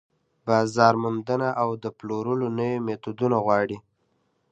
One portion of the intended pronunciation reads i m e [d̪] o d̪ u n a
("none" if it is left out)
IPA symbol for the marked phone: t̪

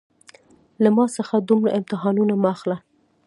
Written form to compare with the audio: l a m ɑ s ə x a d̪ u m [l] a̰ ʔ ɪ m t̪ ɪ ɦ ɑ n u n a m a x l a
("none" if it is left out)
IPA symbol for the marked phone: ɽ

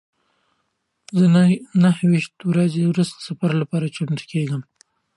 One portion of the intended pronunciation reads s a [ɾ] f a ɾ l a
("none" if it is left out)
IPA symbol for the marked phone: none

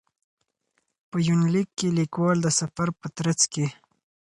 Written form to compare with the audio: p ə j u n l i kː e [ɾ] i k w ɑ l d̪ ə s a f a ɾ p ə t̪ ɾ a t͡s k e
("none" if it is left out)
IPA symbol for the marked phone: l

